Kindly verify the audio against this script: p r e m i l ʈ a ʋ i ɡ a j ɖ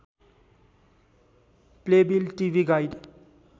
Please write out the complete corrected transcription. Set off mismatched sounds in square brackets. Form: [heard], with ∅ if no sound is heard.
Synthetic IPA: p [l] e [b] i l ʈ [i] ʋ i ɡ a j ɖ